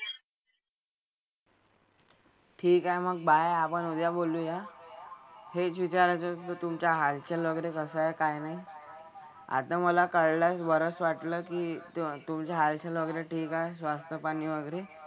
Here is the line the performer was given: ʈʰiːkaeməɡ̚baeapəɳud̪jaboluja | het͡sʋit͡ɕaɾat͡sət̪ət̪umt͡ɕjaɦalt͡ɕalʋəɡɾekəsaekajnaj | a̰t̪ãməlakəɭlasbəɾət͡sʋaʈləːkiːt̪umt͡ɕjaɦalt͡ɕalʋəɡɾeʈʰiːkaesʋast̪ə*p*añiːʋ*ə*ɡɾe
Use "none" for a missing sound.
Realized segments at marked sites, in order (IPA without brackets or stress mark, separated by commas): p, ə